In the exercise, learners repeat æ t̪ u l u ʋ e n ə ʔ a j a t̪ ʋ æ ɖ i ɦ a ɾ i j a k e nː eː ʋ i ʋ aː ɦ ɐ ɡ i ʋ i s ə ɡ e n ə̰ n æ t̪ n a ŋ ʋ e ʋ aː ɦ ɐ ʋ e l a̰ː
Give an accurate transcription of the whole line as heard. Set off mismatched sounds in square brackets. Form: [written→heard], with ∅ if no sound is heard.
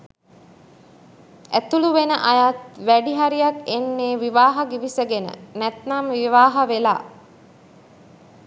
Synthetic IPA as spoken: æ t̪ u l u ʋ e n ə ʔ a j a t̪ ʋ æ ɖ i ɦ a ɾ i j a k e nː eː ʋ i ʋ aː ɦ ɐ ɡ i ʋ i s ə ɡ e n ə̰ n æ t̪ n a [ŋ→m] ʋ [e→i] ʋ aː ɦ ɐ ʋ e l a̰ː